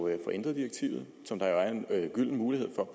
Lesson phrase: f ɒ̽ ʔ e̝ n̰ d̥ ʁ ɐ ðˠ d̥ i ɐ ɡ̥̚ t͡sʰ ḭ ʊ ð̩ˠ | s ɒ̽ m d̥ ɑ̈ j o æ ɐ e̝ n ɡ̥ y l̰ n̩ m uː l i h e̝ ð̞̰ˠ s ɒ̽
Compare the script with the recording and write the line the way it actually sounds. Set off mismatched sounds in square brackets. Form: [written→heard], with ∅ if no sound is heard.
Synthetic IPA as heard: f ɒ̽ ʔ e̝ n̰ d̥ ʁ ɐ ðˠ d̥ i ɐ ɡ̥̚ t͡sʰ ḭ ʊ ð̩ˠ | s ɒ̽ m d̥ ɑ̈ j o æ ɐ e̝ n ɡ̥ y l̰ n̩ m uː l i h e̝ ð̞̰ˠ [s→f] ɒ̽